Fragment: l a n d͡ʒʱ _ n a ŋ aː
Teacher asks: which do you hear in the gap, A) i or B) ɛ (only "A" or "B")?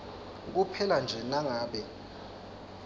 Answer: B